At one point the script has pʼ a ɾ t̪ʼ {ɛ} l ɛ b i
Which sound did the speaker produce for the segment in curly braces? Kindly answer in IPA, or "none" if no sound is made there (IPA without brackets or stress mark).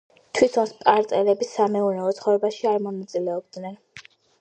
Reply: ɛ